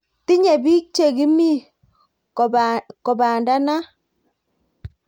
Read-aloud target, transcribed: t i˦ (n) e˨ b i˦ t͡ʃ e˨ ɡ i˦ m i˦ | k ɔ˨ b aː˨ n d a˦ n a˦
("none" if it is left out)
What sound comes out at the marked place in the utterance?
ɲ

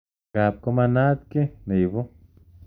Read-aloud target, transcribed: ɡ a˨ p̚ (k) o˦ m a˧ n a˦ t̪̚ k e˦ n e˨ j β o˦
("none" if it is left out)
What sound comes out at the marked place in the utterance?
k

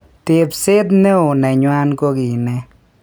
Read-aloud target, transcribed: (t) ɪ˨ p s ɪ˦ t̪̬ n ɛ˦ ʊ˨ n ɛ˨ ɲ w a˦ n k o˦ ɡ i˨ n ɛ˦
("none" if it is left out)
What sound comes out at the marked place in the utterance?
t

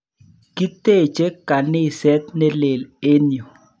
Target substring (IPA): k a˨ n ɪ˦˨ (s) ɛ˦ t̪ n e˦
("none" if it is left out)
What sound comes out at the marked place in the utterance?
s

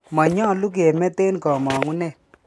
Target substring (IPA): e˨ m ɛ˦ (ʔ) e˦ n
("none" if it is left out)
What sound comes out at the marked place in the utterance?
t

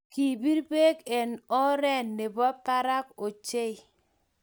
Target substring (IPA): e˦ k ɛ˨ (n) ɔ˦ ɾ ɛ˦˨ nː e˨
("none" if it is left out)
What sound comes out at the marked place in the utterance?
n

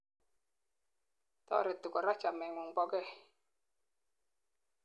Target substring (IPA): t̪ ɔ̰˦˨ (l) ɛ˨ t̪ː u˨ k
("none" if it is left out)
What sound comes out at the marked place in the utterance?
ɾ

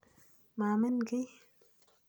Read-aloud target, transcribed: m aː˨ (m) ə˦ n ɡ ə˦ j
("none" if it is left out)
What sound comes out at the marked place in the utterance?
m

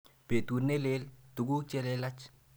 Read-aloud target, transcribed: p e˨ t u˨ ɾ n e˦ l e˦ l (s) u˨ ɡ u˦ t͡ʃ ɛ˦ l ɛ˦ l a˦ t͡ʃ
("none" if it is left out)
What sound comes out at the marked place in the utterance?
t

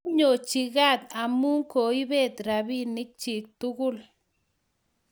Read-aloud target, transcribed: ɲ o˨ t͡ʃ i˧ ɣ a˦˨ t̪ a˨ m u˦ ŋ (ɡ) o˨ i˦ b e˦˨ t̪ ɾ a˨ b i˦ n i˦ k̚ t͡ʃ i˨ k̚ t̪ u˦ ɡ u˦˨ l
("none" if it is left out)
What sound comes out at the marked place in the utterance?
k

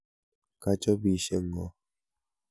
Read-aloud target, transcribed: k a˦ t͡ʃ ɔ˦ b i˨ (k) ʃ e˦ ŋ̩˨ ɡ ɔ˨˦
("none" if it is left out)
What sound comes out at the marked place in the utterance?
none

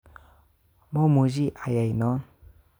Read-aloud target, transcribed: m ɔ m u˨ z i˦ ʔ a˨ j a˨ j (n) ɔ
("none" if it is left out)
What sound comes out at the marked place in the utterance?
n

